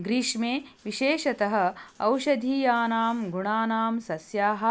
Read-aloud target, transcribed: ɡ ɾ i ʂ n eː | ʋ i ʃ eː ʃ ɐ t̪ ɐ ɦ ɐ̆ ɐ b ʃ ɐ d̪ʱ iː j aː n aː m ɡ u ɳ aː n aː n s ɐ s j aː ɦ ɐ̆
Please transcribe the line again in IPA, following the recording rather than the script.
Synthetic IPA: ɡ ɾ i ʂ m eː | ʋ i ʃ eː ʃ ɐ t̪ ɐ ɦ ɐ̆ ɐ w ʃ ɐ d̪ʱ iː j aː n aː m ɡ u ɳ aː n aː m s ɐ s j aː ɦ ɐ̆